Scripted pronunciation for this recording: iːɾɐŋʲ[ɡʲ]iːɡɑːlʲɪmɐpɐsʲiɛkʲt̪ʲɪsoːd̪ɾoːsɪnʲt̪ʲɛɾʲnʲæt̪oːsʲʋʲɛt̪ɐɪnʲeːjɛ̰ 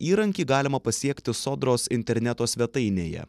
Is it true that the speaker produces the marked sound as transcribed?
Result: no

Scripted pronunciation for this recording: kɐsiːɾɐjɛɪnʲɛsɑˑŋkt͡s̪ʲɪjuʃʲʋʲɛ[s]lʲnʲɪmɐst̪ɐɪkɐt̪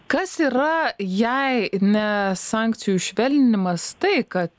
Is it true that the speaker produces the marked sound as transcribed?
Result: no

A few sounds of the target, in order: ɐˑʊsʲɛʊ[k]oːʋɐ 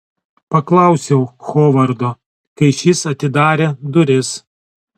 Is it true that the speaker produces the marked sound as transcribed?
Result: no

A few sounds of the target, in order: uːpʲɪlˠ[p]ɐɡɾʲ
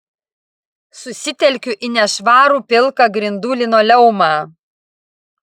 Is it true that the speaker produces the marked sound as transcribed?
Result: no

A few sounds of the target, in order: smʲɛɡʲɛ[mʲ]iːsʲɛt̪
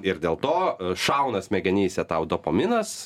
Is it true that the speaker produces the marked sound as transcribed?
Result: no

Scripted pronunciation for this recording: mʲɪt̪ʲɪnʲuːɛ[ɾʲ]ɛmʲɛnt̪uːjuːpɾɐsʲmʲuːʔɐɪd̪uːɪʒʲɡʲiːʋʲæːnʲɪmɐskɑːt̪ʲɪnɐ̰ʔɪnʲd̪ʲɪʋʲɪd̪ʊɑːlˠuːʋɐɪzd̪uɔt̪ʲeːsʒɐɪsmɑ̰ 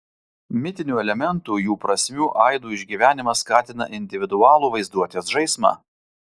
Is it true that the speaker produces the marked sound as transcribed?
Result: no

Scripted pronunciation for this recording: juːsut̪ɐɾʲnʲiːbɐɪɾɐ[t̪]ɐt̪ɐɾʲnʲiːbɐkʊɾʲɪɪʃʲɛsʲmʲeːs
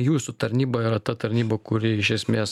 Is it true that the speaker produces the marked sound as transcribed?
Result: yes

